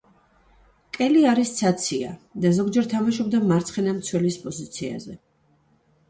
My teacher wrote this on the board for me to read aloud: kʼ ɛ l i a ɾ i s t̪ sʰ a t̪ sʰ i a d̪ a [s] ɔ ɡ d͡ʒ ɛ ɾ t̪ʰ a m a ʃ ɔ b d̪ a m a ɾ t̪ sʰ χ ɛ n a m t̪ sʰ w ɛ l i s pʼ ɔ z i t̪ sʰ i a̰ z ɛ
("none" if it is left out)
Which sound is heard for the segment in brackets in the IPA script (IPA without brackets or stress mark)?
z